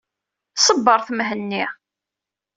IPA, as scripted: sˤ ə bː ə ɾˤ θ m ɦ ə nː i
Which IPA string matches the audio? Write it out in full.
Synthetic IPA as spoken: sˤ ə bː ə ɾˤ θ m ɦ ə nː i